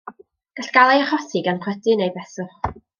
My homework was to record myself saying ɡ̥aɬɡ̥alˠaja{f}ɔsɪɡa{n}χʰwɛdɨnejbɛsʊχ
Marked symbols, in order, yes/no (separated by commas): no, yes